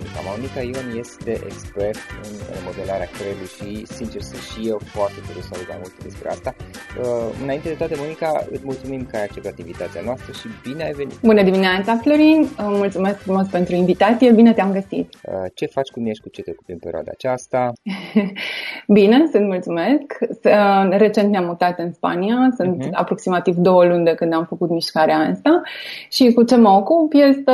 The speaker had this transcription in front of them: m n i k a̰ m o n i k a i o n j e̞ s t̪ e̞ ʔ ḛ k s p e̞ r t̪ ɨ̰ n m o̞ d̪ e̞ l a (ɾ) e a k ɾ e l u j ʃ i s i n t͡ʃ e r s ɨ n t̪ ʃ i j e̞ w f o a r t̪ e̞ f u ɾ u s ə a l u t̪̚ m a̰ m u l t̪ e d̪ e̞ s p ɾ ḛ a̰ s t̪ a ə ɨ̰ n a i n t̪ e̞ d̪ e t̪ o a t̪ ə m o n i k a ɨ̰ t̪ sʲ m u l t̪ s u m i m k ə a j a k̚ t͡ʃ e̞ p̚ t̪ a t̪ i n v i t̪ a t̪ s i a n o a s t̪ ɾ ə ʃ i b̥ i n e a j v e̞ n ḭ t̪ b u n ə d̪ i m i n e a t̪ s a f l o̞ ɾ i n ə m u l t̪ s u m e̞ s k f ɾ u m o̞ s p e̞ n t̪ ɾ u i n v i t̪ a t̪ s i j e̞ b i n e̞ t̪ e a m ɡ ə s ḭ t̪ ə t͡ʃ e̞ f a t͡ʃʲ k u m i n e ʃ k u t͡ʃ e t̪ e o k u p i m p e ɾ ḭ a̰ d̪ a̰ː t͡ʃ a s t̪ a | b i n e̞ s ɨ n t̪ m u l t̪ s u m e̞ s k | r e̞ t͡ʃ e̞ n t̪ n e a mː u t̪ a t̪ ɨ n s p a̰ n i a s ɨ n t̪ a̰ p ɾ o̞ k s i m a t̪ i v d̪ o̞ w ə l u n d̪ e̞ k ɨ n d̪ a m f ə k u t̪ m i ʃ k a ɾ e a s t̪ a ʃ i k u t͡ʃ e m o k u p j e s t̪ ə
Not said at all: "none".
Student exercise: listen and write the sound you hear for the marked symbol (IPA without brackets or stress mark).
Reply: ɾ